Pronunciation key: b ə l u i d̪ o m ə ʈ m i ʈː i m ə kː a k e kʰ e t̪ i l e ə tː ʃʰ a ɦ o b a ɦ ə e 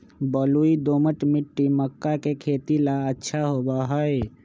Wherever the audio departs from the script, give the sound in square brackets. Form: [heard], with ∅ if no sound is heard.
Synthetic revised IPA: b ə l u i d̪ o m ə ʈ m i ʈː i m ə kː a k e kʰ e t̪ i l [a] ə tː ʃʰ a ɦ o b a ɦ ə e

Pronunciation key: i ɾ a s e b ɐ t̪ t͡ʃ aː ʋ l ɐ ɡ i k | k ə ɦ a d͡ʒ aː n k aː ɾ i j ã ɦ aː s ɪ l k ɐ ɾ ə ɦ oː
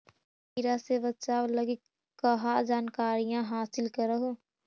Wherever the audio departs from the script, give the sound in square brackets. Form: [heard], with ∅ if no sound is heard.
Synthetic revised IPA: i ɾ a s e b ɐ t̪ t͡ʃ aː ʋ l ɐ ɡ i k | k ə ɦ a d͡ʒ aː n k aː ɾ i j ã ɦ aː s ɪ l k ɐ ɾ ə ɦ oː

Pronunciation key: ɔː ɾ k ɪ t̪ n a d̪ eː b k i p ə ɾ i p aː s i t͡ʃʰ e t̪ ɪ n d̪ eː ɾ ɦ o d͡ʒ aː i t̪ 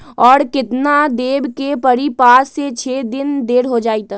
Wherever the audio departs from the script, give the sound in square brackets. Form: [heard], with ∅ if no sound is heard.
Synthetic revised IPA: ɔː ɾ k ɪ t̪ n a d̪ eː b k [e] p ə ɾ i p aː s [e] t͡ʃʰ e [d̪] ɪ n d̪ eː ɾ ɦ o d͡ʒ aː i t̪

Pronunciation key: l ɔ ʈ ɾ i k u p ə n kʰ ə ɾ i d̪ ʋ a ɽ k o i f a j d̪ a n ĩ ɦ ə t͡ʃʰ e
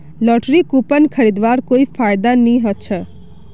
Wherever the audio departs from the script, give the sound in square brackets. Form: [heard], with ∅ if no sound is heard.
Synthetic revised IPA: l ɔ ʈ ɾ i k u p ə n kʰ ə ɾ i d̪ ʋ a [ɾ] k o i f a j d̪ a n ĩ ɦ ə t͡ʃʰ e

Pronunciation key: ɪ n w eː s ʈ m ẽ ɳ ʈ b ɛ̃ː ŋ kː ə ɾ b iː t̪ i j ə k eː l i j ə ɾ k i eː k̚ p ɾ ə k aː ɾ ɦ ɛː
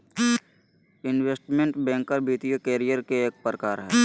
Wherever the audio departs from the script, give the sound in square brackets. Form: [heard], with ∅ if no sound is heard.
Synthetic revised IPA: ɪ n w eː s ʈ m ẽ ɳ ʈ b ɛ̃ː ŋ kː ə ɾ b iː t̪ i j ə k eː [ɾ] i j ə ɾ k [e] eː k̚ p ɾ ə k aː ɾ ɦ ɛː

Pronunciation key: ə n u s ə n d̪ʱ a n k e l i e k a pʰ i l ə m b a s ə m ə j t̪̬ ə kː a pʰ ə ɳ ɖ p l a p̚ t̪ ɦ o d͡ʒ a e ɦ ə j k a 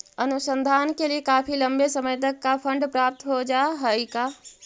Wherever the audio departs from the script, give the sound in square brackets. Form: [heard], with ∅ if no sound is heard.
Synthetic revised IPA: ə n u s ə n d̪ʱ a n k e l i e k a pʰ i l ə m b [e] s ə m ə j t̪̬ ə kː a pʰ ə ɳ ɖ p [ɾ] a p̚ t̪ ɦ o d͡ʒ a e ɦ ə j k a

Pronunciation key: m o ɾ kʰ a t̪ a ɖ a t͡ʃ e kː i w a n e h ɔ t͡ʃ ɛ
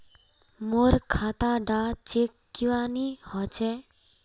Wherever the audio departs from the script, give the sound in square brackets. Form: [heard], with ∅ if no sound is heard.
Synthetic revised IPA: m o ɾ kʰ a t̪ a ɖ a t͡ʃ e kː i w a n [i] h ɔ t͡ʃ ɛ

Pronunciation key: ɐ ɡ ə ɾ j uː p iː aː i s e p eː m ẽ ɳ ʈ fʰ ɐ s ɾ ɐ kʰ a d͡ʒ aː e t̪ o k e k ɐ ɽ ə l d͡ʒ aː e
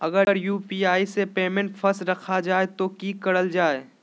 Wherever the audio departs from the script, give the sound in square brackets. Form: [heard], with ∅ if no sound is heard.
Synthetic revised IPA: ɐ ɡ ə ɾ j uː p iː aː i s e p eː m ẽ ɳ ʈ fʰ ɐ s ɾ ɐ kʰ a d͡ʒ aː e t̪ o k [i] k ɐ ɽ ə l d͡ʒ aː e

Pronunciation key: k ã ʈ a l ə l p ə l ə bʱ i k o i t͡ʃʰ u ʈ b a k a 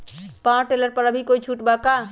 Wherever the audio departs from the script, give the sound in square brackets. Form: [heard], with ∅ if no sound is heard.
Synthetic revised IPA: [p] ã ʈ [e] l ə [ɾ] p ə [ɾ] ə bʱ i k o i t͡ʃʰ u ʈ b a k a

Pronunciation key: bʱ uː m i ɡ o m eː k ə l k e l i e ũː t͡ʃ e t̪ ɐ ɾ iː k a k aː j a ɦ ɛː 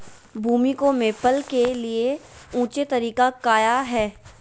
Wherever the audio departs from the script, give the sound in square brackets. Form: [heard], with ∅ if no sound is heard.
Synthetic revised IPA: bʱ uː m i [k] o m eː [p] ə l k e l i e ũː t͡ʃ e t̪ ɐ ɾ iː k a k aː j a ɦ ɛː

